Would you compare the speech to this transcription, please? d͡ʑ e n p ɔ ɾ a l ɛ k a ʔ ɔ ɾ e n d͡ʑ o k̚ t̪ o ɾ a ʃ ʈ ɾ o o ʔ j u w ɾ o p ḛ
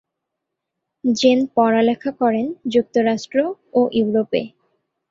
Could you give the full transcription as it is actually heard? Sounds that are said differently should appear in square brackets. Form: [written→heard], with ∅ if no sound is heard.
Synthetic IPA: d͡ʑ e n p ɔ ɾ a l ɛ [k→kʰ] a [ʔ→k] ɔ ɾ e n d͡ʑ [o→u] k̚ t̪ o ɾ a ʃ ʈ ɾ o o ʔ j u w ɾ o p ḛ